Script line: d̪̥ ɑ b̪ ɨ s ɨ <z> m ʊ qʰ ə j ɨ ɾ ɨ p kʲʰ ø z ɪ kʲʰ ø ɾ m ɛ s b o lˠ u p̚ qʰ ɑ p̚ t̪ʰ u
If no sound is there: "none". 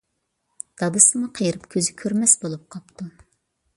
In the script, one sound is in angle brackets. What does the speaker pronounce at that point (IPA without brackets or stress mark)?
none